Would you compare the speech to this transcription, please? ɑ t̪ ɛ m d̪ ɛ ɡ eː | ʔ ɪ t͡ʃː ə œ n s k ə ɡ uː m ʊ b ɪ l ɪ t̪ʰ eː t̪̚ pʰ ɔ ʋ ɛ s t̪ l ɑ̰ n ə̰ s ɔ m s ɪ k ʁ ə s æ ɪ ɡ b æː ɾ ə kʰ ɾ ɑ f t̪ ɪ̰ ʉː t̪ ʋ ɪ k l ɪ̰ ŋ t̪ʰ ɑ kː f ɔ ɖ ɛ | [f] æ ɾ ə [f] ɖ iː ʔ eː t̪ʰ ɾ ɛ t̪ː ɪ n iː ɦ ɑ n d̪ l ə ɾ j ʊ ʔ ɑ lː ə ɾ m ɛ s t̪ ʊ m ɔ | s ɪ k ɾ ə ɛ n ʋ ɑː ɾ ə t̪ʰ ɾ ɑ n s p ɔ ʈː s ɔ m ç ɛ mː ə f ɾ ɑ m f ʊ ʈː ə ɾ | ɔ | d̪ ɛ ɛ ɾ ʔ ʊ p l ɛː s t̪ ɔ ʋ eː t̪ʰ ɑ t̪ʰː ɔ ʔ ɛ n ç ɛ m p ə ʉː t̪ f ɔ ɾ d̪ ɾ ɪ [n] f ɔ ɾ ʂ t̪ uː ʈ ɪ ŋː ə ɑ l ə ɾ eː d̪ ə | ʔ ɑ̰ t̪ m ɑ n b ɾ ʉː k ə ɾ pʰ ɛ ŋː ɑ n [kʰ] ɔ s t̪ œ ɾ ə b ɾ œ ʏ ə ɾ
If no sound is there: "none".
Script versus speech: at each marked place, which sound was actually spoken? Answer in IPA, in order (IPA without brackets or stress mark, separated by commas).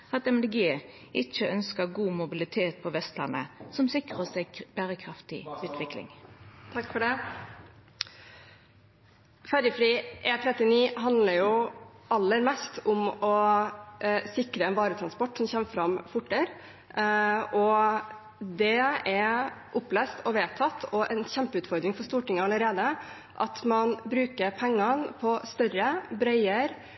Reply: f, f, ŋ, pʰ